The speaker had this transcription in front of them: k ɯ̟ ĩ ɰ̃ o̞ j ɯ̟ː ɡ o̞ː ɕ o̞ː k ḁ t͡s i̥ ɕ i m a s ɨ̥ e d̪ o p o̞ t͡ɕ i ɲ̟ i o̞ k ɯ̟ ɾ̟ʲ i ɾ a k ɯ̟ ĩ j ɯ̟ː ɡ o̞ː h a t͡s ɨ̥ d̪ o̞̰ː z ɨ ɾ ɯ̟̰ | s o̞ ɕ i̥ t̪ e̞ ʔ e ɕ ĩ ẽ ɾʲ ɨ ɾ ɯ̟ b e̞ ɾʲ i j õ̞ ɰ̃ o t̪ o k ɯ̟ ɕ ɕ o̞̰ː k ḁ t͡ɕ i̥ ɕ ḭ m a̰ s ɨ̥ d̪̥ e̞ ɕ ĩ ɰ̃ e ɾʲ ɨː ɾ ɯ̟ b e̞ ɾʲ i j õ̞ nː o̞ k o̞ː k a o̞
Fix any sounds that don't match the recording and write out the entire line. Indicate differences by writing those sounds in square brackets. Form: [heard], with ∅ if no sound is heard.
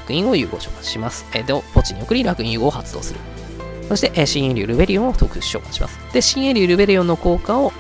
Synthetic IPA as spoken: k ɯ̟ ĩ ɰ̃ o̞ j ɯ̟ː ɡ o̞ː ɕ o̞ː k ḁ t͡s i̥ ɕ i m a s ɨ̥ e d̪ o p o̞ t͡ɕ i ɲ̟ i o̞ k ɯ̟ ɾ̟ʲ i ɾ a k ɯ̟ ĩ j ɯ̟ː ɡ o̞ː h a t͡s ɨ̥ d̪ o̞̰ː [s] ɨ ɾ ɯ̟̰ | s o̞ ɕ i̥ t̪ e̞ ʔ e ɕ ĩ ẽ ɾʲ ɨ ɾ ɯ̟ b e̞ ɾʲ i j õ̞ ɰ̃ o t̪ o k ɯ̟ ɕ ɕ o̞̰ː k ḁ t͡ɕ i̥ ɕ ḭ m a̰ s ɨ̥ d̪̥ e̞ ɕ ĩ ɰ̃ e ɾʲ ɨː ɾ ɯ̟ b e̞ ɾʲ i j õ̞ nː o̞ k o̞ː k a o̞